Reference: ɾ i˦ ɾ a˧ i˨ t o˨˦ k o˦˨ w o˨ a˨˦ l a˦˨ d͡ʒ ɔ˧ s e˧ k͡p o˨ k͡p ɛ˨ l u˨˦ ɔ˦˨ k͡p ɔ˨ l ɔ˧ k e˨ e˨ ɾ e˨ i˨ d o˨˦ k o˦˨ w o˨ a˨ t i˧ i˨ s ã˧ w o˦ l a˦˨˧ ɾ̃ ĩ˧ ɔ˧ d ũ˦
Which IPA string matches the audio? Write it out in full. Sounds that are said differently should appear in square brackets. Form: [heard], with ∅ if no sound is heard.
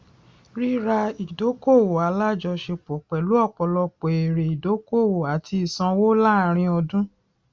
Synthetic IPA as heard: ɾ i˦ ɾ a˧ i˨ [d] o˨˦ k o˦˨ w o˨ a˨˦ l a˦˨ d͡ʒ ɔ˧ [ʃ] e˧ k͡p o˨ k͡p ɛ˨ l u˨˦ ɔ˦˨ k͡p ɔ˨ l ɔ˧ [k͡p] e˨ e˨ ɾ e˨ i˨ d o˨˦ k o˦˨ w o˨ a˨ t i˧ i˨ s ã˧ w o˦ l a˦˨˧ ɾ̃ ĩ˧ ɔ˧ d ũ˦